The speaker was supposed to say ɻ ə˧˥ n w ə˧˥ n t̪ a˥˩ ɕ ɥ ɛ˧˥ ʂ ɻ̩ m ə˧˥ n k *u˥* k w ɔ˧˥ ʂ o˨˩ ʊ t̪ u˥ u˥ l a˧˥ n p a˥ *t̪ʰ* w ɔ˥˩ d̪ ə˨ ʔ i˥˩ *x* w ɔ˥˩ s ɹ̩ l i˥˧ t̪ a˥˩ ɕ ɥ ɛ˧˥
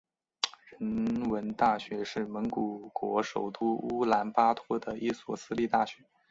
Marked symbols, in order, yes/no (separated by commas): no, yes, no